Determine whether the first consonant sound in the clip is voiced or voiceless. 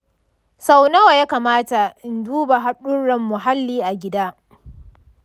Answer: voiceless